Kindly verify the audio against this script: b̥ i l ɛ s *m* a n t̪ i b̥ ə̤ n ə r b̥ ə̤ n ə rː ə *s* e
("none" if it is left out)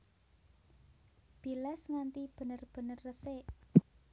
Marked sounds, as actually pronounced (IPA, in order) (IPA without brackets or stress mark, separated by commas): ŋ, s